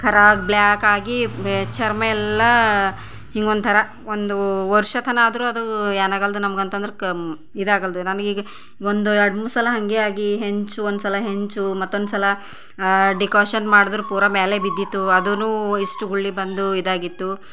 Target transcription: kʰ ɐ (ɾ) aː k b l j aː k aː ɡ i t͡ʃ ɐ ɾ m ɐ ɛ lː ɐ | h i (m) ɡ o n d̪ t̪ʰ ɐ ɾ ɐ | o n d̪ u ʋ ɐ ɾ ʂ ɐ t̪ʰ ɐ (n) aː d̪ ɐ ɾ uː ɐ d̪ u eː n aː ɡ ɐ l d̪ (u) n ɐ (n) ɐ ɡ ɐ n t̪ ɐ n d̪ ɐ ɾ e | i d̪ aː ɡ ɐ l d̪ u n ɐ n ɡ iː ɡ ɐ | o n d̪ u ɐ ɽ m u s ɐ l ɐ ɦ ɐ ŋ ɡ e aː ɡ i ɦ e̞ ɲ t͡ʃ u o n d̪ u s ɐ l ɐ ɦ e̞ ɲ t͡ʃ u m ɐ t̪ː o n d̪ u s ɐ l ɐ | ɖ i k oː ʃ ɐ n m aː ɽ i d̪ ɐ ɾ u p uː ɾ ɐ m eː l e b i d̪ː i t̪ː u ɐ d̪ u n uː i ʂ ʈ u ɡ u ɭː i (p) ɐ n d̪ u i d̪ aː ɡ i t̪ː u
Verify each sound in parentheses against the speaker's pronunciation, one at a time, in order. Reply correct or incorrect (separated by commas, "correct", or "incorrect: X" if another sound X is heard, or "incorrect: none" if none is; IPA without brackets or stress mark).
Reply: correct, incorrect: ŋ, correct, correct, incorrect: m, incorrect: b